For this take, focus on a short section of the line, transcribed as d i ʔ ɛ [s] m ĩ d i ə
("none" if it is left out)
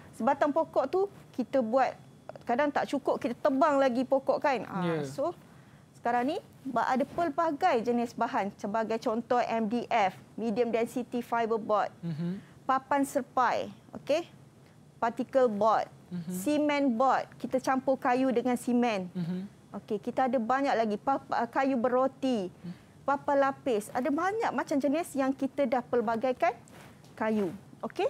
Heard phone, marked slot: f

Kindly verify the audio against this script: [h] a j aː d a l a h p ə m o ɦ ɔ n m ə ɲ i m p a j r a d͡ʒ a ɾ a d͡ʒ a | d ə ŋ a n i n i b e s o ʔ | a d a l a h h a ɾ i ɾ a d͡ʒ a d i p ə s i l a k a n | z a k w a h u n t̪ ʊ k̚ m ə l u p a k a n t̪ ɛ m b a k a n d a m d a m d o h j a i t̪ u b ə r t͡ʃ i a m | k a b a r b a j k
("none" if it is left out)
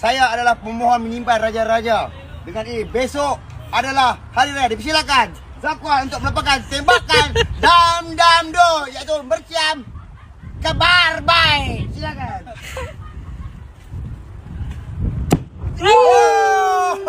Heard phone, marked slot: s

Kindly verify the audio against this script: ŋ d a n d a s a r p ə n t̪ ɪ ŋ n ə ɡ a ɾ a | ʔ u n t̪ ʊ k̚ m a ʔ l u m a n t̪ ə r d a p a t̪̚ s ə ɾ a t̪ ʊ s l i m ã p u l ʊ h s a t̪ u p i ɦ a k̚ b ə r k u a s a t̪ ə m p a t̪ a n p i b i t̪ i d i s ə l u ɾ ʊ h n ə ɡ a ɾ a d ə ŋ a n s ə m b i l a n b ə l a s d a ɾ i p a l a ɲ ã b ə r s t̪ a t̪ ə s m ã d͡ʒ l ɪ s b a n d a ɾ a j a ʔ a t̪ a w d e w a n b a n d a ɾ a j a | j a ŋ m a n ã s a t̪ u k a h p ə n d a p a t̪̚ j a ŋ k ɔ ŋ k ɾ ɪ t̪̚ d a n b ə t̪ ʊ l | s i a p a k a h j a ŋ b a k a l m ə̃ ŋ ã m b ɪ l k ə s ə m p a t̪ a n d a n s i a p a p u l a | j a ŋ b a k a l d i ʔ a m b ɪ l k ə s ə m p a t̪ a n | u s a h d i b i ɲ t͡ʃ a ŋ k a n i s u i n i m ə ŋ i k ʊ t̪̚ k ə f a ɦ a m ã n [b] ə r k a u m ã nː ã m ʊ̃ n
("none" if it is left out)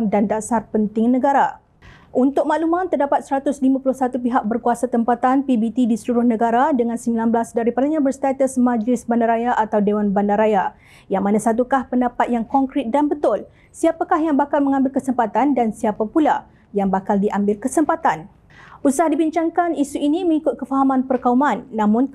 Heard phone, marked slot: p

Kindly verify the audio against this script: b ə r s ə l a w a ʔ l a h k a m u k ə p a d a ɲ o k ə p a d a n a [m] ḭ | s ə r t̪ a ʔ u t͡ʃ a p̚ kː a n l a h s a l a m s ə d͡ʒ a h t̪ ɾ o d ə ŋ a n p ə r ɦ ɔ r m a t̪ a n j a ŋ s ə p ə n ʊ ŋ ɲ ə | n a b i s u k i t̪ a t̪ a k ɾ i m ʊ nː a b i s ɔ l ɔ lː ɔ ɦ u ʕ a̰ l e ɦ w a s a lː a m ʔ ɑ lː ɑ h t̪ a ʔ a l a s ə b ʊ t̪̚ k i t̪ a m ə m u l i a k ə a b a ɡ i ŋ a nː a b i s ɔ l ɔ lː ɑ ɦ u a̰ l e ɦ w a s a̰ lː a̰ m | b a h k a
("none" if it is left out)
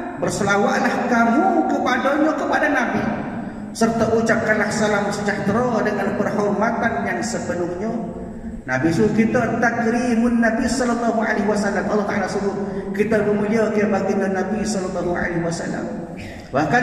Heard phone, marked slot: b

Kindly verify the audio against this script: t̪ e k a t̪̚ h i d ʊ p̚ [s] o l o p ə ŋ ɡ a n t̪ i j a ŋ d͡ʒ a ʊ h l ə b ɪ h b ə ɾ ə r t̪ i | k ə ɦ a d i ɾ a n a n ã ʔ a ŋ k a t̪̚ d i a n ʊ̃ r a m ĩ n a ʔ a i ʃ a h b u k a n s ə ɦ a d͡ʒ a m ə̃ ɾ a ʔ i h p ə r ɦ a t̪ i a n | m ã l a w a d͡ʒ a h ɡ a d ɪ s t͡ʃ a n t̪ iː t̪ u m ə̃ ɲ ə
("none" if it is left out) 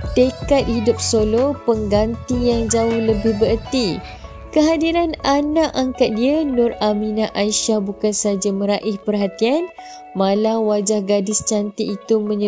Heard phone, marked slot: s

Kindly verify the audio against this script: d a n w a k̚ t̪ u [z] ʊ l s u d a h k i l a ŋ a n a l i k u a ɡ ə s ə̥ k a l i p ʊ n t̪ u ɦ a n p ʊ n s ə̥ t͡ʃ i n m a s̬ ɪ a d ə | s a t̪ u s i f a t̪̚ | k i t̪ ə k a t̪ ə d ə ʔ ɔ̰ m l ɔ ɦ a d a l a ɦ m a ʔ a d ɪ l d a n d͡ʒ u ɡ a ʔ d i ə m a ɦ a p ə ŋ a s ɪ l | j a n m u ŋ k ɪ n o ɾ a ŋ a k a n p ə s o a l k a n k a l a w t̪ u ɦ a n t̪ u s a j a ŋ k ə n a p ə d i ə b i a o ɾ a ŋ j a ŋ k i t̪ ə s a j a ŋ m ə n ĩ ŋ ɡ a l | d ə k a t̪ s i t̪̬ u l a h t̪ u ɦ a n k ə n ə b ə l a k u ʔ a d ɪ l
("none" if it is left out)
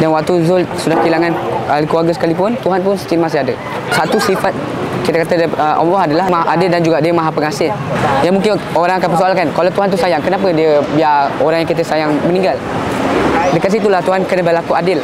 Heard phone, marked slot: z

